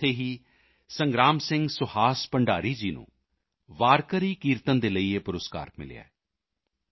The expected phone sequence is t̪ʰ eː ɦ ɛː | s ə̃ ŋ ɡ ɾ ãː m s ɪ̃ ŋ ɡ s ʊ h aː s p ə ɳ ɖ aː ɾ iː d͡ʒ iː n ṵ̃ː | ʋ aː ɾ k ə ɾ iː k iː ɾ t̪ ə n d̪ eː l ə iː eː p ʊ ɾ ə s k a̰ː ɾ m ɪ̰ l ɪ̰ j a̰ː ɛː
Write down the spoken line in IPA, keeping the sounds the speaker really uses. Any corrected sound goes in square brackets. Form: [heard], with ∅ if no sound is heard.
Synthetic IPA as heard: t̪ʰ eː ɦ [iː] | s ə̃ ŋ ɡ ɾ [aː] m s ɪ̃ ŋ ɡ s ʊ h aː s p ə ɳ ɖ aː ɾ iː d͡ʒ iː n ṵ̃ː | ʋ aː ɾ k ə ɾ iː k iː ɾ t̪ ə n d̪ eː l ə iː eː p ʊ ɾ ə s k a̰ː ɾ m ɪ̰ l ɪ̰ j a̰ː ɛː